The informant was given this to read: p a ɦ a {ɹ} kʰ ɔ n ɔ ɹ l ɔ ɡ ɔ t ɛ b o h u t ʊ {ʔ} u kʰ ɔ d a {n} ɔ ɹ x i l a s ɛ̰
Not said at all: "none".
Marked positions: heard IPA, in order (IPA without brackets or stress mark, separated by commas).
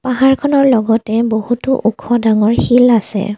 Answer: ɹ, ʔ, ŋ